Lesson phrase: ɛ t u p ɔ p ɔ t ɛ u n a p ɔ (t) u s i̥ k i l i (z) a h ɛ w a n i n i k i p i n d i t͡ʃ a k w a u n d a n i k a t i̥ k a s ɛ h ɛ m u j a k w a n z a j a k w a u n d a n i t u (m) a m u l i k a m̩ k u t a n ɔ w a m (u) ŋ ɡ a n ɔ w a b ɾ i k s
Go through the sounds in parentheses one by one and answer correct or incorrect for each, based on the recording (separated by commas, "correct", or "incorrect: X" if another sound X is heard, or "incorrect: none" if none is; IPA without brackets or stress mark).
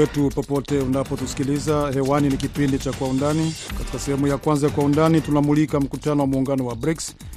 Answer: correct, correct, incorrect: n, incorrect: uː